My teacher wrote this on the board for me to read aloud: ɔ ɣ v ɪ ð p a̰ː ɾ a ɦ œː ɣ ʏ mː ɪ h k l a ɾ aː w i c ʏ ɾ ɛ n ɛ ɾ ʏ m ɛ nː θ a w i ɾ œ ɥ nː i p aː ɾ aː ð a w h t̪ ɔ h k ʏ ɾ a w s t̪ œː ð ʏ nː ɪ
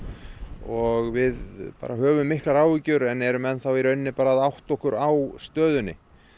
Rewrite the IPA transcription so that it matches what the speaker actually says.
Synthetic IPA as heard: ɔ ɣ v ɪ ð p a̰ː ɾ a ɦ œː v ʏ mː ɪ h k l a ɾ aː w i c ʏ ɾ ɛ n ɛ ɾ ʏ m ɛ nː θ a w i ɾ œ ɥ nː ɪ p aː ɾ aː ð a w h t̪ ɔ h k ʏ ɾ a w s t̪ œː ð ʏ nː ɪ